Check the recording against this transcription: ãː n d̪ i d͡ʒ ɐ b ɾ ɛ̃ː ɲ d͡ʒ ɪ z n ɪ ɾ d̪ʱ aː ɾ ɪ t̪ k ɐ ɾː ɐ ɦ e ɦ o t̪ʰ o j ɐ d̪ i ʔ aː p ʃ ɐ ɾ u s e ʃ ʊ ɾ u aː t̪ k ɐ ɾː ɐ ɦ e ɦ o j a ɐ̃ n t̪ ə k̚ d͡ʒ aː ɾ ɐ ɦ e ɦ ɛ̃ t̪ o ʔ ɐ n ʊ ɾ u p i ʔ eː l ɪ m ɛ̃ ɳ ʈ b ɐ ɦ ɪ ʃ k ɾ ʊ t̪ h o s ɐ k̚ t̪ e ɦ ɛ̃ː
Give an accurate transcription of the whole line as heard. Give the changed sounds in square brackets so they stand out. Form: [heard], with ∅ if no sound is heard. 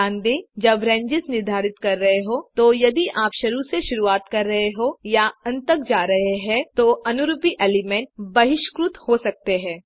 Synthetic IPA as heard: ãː n d̪ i d͡ʒ ɐ b ɾ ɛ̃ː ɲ d͡ʒ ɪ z n ɪ ɾ d̪ʱ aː ɾ ɪ t̪ k ɐ ɾː ɐ ɦ e ɦ o [t̪] o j ɐ d̪ i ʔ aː p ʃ ɐ ɾ u s e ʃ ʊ ɾ u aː t̪ k ɐ ɾː ɐ ɦ e ɦ o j a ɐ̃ n t̪ ə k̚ d͡ʒ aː ɾ ɐ ɦ e ɦ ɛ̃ t̪ o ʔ ɐ n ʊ ɾ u p i ʔ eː l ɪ m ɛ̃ ɳ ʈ b ɐ ɦ ɪ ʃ k ɾ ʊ t̪ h o s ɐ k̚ t̪ e ɦ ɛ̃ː